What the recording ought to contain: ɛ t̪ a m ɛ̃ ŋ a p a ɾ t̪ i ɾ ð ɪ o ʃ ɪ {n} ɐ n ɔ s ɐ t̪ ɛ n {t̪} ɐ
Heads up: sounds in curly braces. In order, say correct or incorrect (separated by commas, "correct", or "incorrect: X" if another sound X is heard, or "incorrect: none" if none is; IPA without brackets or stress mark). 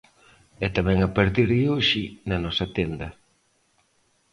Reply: correct, incorrect: d̪